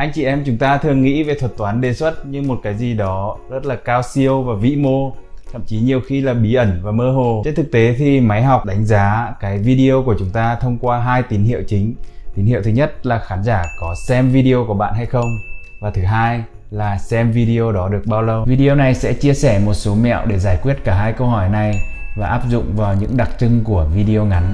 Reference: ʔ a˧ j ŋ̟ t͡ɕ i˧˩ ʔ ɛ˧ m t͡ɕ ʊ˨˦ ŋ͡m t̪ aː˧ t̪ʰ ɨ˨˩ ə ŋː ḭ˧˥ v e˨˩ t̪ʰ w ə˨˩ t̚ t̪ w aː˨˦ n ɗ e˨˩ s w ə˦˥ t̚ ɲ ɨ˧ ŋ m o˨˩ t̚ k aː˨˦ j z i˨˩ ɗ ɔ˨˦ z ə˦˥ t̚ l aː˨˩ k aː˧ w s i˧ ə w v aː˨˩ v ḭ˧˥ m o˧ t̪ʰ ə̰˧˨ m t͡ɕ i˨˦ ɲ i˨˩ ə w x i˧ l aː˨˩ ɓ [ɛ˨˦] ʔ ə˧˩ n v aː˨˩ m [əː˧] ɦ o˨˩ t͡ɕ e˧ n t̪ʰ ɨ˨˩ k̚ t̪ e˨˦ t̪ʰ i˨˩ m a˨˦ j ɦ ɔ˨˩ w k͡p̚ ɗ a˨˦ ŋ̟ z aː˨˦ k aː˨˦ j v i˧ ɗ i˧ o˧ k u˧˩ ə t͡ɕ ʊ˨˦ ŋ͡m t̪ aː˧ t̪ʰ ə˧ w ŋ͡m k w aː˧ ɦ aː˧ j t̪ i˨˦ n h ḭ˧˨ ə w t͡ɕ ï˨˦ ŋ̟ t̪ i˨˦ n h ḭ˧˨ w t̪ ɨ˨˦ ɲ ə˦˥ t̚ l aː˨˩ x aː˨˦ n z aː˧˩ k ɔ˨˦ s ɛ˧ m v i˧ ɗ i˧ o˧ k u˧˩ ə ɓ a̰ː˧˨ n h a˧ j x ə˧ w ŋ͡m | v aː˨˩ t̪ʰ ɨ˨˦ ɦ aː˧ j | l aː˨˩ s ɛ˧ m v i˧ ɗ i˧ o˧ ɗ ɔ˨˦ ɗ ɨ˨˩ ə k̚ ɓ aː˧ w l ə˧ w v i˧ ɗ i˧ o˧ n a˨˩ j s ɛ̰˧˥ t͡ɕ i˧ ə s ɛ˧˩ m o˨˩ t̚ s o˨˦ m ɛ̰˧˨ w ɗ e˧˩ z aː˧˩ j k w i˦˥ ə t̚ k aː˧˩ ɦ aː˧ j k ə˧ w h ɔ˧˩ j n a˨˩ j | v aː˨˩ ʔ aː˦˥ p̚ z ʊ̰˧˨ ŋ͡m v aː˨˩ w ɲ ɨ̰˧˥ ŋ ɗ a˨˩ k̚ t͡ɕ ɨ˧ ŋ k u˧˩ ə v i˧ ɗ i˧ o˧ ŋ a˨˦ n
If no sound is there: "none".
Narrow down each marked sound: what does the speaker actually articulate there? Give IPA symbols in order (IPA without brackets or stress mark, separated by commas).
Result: i˨˦, əː˧